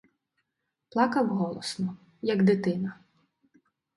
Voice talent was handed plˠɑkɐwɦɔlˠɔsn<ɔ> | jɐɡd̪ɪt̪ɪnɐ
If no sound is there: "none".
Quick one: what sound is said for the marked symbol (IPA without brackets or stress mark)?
ɔ